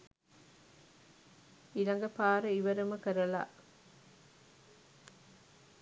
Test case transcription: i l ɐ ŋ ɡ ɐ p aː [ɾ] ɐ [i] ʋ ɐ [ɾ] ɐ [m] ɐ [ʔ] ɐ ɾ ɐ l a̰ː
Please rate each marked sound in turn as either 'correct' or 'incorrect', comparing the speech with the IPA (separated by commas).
correct, correct, correct, correct, incorrect